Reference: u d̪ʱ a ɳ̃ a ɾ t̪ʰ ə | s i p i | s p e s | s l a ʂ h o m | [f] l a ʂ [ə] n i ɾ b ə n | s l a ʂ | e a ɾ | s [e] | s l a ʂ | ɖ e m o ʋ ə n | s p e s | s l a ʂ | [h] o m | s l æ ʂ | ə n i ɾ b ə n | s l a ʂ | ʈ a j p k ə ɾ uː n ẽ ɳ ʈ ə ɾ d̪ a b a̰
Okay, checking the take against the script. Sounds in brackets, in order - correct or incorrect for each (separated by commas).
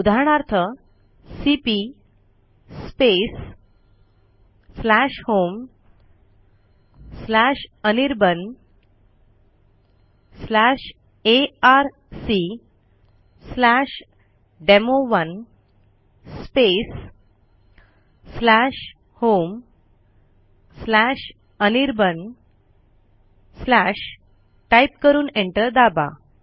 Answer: incorrect, correct, incorrect, correct